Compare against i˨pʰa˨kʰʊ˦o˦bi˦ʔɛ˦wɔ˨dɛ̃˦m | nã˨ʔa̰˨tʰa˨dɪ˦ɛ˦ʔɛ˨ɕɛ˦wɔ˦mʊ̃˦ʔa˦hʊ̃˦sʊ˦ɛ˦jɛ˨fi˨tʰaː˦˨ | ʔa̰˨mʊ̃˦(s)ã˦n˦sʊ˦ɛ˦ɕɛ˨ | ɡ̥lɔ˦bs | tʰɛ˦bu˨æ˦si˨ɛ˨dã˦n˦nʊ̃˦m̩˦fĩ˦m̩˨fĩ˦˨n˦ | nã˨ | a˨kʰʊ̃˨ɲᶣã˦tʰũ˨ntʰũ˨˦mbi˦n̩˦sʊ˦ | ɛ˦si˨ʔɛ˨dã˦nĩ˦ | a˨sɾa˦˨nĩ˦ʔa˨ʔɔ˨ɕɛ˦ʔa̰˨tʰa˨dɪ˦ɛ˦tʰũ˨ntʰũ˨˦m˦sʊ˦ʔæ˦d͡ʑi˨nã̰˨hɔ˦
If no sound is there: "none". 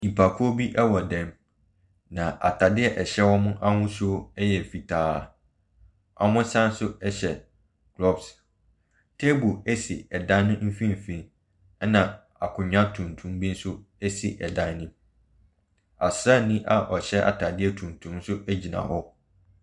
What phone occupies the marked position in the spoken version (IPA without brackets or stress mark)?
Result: s